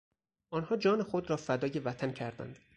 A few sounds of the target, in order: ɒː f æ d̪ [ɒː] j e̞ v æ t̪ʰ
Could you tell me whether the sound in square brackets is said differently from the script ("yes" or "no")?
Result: no